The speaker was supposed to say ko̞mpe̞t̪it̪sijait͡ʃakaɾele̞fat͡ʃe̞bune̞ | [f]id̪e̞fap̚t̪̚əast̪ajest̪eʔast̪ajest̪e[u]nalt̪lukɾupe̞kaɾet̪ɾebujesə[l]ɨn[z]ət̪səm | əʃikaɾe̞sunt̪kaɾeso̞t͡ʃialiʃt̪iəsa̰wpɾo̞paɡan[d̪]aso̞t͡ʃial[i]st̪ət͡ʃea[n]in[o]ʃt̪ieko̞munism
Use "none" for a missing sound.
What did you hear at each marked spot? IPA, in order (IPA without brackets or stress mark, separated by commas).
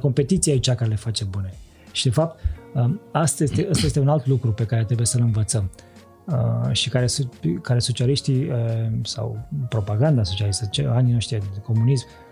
ʃ, u, l, v, d̪, i, n, o